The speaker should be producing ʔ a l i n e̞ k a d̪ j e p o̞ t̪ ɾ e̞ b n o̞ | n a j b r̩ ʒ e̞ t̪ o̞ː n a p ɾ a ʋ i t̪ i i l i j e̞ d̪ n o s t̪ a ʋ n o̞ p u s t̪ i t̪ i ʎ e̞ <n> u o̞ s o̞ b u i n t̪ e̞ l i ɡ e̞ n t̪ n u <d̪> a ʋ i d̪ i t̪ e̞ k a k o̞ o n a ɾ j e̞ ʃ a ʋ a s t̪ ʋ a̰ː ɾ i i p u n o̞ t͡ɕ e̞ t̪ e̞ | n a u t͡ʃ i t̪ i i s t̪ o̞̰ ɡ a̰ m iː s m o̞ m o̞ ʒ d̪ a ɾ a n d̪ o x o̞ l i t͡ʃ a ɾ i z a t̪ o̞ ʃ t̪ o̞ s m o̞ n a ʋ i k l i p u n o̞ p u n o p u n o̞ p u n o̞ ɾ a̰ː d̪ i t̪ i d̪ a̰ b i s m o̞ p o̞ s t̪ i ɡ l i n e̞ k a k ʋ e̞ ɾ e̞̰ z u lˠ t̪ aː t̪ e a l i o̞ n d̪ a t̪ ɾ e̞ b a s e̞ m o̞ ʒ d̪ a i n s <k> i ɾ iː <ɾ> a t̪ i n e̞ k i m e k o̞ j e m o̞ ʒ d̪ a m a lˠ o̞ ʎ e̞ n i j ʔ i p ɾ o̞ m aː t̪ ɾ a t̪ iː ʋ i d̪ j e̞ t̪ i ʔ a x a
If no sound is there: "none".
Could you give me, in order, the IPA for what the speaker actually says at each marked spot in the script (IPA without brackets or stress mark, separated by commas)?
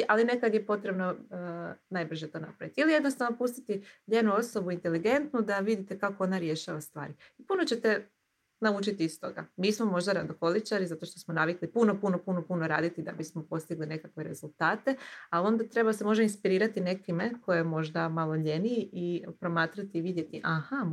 n, d̪, p, ɾ